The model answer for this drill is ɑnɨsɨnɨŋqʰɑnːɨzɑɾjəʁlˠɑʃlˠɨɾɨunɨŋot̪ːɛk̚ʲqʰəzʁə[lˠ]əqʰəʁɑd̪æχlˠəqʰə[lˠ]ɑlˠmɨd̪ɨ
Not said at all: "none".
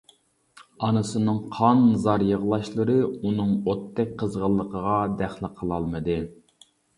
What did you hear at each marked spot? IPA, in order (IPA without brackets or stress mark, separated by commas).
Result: lˠː, lˠ